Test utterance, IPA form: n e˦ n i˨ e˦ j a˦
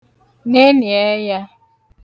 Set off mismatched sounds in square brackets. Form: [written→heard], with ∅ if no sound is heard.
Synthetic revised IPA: n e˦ n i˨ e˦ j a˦